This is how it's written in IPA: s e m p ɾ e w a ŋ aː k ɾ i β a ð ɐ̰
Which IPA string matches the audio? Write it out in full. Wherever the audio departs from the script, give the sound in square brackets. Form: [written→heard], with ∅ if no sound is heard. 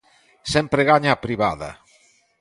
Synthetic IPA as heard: s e m p ɾ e [w→ɣ] a [ŋ→ɲ] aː [k→p] ɾ i β a ð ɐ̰